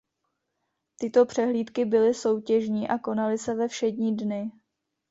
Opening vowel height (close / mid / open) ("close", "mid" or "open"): close